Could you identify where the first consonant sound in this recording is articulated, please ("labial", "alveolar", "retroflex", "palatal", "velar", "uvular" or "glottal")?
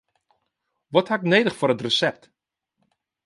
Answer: labial